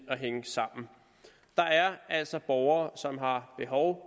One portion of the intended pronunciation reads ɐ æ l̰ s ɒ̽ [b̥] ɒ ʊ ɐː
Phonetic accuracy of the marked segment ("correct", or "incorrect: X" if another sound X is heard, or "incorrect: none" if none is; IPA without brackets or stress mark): correct